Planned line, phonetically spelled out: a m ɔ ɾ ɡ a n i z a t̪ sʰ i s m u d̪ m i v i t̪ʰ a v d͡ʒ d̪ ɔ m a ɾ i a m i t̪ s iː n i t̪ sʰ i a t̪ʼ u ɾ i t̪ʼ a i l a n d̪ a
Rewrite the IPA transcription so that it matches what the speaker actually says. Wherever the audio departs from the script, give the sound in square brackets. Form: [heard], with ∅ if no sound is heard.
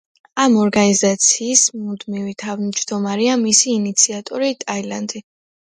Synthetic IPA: a m ɔ ɾ ɡ a n i z a t̪ sʰ [iː] s m u d̪ m i v i t̪ʰ a v d͡ʒ d̪ ɔ m a ɾ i a m i [∅] s iː n i t̪ sʰ i a t̪ʼ [ɔ] ɾ i t̪ʼ a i l a n d̪ [i]